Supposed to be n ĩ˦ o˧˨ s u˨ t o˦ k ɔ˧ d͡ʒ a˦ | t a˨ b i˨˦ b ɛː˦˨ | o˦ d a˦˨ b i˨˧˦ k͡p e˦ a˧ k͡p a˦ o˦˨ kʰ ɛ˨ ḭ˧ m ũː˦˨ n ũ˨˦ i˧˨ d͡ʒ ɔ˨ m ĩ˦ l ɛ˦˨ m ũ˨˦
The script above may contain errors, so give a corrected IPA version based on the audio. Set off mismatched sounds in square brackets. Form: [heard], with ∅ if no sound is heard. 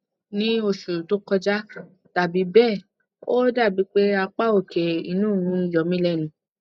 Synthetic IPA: n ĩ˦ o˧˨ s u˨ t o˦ k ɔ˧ d͡ʒ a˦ | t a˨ b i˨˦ b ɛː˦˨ | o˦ d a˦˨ b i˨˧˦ k͡p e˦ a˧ k͡p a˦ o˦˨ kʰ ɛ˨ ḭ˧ [n] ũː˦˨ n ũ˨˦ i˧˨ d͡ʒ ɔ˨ m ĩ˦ l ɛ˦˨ [n] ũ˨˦